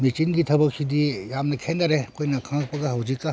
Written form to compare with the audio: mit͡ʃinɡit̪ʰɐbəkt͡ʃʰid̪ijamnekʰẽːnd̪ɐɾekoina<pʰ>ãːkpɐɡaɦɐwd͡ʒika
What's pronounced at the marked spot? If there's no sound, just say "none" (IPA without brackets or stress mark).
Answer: kʰ